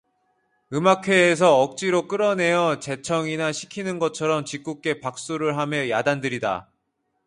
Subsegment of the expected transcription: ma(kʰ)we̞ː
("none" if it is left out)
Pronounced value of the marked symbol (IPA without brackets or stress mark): kʰ